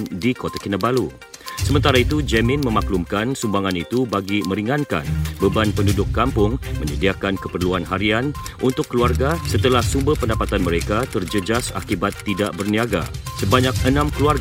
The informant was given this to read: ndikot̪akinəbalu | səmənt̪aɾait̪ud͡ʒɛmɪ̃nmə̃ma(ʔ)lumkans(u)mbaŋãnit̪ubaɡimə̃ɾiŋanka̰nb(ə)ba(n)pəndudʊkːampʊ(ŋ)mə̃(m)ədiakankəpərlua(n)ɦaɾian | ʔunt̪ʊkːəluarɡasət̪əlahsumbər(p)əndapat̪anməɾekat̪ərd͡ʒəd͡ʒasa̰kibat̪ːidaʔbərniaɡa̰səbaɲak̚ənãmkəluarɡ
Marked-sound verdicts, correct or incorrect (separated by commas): incorrect, correct, correct, correct, correct, incorrect, correct, correct